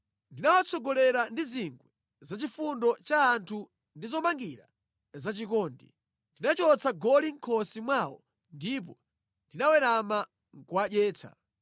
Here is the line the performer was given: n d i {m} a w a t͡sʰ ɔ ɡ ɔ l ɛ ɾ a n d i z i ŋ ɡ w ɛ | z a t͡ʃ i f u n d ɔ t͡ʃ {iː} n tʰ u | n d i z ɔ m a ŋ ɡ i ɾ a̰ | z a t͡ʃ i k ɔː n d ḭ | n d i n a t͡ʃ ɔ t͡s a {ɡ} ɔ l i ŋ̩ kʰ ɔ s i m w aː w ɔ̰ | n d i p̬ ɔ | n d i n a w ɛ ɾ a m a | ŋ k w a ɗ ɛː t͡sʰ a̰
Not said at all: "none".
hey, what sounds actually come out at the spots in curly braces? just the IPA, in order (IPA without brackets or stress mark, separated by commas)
n, aː, ɡ